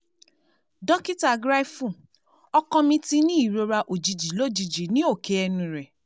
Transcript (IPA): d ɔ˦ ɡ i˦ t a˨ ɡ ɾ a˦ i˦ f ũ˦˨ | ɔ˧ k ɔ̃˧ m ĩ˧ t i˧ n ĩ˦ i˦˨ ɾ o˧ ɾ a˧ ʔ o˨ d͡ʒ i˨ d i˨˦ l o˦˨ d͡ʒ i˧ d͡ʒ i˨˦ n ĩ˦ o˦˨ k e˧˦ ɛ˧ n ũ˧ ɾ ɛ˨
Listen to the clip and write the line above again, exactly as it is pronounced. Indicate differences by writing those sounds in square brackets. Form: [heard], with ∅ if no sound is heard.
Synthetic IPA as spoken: d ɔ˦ [k] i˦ t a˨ ɡ ɾ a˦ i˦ f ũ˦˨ | ɔ˧ k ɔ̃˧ m ĩ˧ t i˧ n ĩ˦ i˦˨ ɾ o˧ ɾ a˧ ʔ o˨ d͡ʒ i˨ [d͡ʒ] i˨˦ l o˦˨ d͡ʒ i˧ d͡ʒ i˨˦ n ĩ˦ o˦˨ k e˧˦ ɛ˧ n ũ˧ ɾ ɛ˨